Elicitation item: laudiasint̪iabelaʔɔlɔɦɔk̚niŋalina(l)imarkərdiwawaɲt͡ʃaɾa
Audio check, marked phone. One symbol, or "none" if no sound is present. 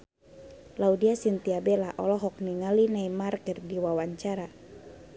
none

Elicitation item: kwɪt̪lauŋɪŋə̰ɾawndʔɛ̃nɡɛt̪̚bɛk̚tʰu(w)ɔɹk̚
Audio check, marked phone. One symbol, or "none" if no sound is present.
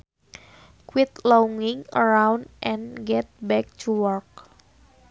w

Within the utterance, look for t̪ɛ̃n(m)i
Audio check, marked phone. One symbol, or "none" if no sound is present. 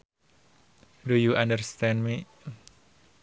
m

